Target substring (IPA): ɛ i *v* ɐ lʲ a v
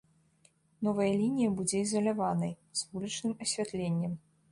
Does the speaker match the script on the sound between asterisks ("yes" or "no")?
no